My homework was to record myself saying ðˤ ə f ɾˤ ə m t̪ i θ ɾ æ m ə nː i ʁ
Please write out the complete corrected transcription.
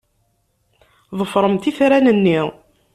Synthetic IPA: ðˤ ə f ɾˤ ə m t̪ i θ ɾ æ n ə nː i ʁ